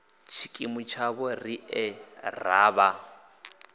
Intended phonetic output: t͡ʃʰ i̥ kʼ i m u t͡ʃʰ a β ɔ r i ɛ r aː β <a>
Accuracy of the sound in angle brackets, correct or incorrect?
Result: correct